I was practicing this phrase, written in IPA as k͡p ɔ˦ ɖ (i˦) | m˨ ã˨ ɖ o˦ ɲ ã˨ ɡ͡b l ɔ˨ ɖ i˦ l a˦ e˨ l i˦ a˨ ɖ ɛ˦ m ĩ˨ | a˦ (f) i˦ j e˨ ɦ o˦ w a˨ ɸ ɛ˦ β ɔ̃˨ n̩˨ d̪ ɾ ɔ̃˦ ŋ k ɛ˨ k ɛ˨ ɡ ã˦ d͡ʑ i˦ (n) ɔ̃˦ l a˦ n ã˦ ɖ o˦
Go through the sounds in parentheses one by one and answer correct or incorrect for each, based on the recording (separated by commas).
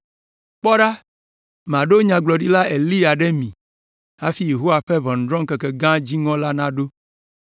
incorrect, correct, incorrect